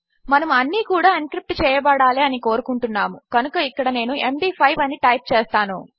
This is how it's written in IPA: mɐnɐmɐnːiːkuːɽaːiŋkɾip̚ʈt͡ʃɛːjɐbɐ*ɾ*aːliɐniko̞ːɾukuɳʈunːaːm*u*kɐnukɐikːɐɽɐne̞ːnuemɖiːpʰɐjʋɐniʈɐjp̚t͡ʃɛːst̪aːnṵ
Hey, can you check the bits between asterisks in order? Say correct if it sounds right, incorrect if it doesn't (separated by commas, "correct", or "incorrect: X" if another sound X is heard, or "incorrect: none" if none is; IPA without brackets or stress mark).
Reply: incorrect: ɽ, correct